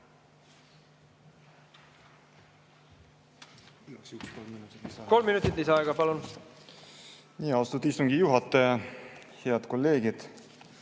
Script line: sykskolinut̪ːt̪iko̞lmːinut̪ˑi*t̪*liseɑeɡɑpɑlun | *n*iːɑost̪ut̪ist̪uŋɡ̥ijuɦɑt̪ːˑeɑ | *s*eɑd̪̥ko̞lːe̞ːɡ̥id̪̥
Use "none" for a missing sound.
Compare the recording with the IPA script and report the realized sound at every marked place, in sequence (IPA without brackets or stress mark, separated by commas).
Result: t̪, n, h